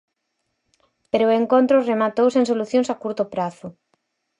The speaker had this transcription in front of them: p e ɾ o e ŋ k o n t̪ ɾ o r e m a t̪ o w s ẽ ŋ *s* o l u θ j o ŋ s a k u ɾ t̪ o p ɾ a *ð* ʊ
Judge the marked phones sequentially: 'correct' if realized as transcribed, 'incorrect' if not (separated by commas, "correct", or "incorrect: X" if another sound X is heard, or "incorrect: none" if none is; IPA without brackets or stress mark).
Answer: correct, incorrect: θ